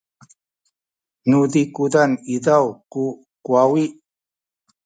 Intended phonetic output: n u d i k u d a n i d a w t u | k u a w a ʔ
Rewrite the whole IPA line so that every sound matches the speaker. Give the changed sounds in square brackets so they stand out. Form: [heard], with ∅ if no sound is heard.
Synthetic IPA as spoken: n u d i k u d a n i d a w [k] u | k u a w [i] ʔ

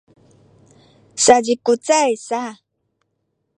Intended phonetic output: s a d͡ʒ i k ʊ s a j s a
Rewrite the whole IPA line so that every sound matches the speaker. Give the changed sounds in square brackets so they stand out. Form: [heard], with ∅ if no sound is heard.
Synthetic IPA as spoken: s a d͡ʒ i k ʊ [t͡s] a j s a

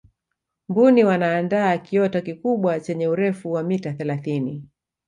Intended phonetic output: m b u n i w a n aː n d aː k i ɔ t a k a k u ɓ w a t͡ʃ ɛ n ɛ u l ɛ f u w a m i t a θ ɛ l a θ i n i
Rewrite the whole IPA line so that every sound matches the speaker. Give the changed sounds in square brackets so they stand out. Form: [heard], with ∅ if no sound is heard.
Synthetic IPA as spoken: m b u n i w a n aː n d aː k i ɔ t a k [i] k u ɓ w a t͡ʃ ɛ [ɲ] ɛ u [ɾ] ɛ f u w a m i t a θ ɛ l a θ i n i

